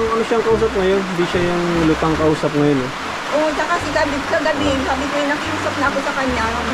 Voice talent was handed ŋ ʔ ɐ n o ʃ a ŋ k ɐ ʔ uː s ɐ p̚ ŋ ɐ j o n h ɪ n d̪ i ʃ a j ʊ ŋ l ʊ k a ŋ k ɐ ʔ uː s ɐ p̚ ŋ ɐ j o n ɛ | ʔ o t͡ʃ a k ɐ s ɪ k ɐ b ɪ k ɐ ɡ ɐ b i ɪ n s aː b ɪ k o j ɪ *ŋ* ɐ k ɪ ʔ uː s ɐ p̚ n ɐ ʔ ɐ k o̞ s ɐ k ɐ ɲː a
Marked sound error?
yes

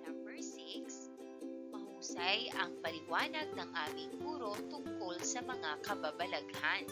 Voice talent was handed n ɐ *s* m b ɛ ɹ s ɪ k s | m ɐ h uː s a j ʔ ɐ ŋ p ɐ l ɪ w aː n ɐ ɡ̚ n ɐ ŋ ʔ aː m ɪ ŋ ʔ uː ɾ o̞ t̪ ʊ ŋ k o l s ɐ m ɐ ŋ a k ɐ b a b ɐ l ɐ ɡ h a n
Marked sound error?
yes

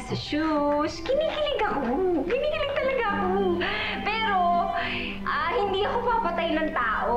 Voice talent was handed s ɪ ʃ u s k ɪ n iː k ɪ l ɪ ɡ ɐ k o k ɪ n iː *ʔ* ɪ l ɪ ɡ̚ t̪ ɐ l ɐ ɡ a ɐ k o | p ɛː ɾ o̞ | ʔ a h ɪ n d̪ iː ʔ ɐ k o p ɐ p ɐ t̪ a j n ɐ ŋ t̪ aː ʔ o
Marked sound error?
yes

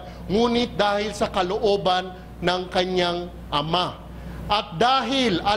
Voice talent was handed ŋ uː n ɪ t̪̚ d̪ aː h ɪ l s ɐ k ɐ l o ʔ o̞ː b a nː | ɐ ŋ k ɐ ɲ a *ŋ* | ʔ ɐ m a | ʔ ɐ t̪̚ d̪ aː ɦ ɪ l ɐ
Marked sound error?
no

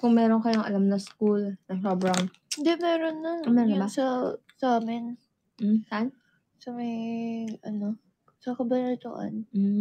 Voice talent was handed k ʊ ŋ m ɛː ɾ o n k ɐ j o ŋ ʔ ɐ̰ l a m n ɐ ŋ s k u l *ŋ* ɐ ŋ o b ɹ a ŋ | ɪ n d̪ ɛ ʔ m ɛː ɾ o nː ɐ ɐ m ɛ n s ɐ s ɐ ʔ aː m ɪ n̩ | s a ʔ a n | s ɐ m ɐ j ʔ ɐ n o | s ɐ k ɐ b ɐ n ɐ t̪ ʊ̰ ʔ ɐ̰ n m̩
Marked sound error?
yes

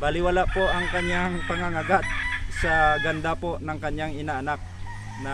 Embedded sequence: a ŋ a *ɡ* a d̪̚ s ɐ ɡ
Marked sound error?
no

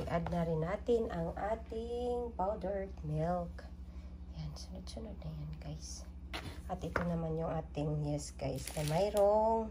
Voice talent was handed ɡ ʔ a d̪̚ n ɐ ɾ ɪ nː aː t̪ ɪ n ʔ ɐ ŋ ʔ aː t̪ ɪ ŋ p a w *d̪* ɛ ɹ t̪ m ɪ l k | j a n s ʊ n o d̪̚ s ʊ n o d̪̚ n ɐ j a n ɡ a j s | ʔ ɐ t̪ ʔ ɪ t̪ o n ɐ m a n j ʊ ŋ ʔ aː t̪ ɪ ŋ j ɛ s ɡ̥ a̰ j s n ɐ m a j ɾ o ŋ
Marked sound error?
no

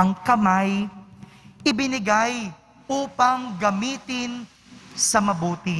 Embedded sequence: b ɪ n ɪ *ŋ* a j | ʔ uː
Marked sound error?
yes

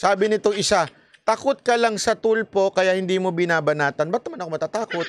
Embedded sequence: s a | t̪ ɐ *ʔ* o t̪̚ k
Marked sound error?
yes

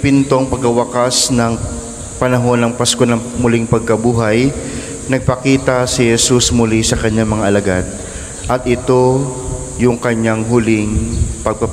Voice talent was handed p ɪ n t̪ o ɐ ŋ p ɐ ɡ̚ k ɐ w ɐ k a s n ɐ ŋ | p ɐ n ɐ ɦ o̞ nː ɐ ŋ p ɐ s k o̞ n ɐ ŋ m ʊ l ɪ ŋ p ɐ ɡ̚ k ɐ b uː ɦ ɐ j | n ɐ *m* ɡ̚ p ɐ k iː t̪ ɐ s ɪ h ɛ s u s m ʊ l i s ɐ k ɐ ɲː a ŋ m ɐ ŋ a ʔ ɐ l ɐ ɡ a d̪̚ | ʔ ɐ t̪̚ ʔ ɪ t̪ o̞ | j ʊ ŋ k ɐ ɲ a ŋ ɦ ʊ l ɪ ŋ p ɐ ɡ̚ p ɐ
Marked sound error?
yes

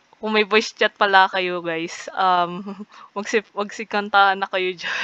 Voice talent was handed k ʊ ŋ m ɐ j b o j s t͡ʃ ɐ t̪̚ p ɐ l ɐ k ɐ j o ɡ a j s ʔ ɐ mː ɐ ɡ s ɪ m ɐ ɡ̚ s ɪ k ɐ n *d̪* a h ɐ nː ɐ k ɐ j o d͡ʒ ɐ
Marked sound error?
yes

